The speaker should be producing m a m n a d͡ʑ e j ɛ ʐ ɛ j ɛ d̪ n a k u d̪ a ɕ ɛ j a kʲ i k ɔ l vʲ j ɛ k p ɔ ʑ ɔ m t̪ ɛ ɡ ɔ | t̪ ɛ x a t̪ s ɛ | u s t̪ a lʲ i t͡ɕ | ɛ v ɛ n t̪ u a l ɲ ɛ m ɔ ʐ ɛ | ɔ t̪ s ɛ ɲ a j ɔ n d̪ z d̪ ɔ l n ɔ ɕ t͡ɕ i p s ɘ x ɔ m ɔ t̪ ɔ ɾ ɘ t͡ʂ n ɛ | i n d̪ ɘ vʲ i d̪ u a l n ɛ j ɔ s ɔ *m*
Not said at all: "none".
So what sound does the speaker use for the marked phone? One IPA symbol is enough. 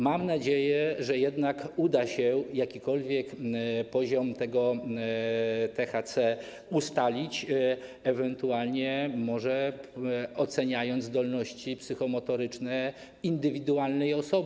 b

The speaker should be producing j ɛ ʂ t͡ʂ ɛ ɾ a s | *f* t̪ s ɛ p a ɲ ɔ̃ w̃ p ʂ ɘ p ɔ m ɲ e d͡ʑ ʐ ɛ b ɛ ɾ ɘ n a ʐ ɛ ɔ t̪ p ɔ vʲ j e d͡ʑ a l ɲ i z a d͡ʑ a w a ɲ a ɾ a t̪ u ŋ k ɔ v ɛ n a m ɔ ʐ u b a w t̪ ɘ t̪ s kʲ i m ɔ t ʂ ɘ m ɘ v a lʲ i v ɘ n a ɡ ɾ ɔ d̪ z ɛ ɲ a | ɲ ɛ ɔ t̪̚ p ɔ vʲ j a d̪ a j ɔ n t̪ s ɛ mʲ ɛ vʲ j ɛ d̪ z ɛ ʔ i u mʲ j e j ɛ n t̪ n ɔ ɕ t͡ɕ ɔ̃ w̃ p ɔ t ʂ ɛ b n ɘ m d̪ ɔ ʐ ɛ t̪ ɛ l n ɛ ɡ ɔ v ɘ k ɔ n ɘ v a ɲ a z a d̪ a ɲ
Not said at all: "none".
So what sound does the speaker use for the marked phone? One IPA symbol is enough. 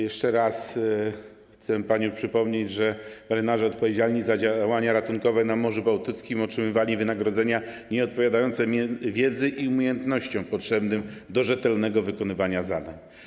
x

